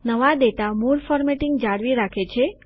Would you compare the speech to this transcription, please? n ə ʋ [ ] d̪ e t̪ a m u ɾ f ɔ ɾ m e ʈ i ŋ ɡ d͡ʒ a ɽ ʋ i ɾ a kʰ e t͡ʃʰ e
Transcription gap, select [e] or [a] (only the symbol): a